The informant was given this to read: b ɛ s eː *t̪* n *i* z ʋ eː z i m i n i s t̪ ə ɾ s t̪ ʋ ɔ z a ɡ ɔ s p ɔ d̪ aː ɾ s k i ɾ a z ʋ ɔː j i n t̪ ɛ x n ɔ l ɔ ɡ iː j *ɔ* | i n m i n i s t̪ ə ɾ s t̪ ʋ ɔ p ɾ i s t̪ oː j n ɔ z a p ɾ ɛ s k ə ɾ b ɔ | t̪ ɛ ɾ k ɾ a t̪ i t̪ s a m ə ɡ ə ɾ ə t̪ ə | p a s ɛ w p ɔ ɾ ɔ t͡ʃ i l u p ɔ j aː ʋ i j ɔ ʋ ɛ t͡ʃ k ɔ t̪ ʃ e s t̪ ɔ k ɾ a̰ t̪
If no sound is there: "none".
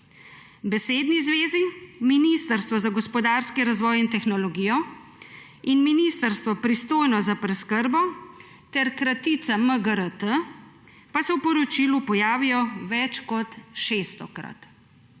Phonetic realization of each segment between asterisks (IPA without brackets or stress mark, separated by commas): d̪, i, ɔ